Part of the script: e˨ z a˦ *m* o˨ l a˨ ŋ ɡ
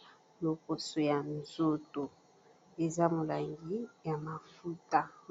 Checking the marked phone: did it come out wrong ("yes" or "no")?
no